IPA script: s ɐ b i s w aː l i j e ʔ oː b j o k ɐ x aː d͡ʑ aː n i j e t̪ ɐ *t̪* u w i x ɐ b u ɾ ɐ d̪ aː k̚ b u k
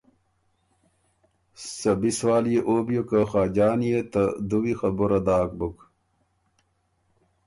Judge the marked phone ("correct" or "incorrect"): incorrect